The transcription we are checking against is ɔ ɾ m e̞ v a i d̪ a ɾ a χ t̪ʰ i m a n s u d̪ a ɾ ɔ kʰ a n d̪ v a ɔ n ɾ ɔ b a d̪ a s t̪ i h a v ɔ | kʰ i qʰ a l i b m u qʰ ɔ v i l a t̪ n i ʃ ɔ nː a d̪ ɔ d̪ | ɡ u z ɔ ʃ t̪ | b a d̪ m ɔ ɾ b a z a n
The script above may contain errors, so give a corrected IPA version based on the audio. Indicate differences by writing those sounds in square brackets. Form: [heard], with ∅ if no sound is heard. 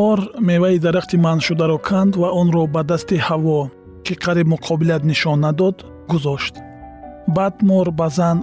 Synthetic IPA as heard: ɔ ɾ m e̞ v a i d̪ a ɾ a χ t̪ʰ i m a n [ʃ] u d̪ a ɾ ɔ kʰ a n d̪ v a ɔ n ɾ ɔ b a d̪ a s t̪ i h a v ɔ | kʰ i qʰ a [ɾ] i b m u qʰ ɔ [b] i l a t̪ n i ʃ ɔ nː a d̪ ɔ d̪ | ɡ u z ɔ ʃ t̪ | b a d̪ m ɔ ɾ b a z a n